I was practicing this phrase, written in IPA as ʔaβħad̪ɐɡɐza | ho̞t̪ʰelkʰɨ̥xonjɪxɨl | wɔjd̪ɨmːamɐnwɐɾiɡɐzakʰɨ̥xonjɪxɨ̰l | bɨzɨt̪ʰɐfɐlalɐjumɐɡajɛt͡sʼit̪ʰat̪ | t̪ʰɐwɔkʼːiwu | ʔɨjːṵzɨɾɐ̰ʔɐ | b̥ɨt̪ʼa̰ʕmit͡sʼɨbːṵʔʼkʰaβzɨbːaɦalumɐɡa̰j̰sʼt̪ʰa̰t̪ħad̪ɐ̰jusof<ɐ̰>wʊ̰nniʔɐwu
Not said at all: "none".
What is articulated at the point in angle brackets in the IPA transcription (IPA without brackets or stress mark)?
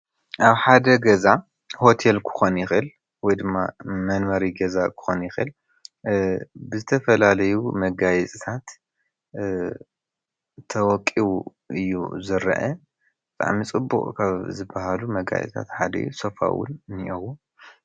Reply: a̰